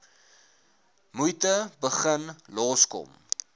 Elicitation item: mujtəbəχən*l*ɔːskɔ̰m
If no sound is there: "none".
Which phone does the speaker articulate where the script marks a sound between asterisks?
l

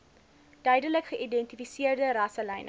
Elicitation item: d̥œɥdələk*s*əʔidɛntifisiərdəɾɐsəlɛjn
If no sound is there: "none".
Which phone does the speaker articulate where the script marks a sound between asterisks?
χ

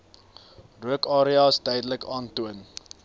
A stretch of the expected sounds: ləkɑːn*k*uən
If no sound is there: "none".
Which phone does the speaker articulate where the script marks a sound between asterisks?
t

